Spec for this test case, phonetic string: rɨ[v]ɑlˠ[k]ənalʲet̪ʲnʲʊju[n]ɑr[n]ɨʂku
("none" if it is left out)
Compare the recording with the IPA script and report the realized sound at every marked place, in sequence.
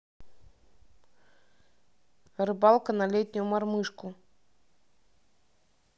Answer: b, k, m, m

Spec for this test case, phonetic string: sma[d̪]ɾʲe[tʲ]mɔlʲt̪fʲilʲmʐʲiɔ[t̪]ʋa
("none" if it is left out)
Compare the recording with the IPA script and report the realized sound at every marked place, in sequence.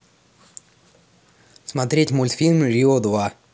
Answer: t̪, tʲ, d̪

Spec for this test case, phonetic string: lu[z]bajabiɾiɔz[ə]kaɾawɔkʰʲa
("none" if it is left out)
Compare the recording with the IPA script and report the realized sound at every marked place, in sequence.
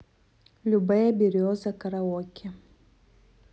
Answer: none, a

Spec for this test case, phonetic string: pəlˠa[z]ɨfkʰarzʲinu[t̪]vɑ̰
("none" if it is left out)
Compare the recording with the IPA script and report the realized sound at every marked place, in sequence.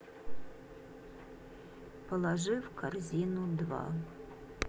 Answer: ʐ, d̪

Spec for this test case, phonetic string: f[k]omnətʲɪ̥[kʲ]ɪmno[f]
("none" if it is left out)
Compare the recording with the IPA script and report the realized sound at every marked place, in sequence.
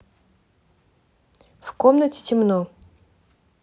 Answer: k, tʲ, none

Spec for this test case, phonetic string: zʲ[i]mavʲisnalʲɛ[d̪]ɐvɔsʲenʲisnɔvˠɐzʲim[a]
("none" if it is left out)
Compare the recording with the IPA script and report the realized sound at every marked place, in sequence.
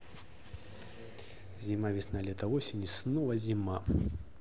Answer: i, t̪, a

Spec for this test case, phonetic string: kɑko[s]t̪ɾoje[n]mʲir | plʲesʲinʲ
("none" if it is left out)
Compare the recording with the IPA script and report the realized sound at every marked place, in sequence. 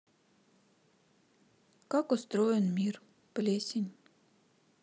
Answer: s, n

